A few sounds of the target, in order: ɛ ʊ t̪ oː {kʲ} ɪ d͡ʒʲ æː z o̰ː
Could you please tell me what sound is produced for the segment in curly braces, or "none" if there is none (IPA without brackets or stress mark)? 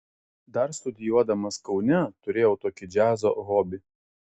kʲ